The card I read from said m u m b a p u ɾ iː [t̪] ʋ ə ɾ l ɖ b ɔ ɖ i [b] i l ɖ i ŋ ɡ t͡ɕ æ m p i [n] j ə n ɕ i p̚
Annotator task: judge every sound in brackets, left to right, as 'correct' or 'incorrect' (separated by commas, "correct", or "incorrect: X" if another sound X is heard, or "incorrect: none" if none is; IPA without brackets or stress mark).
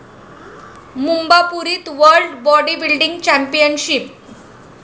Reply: correct, correct, incorrect: none